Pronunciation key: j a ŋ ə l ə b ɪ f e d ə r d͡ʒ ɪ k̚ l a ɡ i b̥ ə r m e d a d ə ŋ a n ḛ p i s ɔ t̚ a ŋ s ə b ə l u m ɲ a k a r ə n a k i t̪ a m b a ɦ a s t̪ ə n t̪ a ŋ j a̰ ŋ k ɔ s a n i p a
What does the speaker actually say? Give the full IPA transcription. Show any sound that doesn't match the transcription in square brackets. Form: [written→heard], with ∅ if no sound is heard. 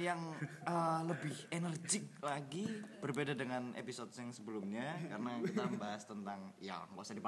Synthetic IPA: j a ŋ ə l ə b ɪ [f→h] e [d→n] ə r d͡ʒ ɪ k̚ l a ɡ i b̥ ə r [m→b] e d a d ə ŋ a n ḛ p i s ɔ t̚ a ŋ s ə b ə l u m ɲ a k a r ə n a k i t̪ a m b a ɦ a s t̪ ə n t̪ a ŋ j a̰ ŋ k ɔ s a [n→d] i p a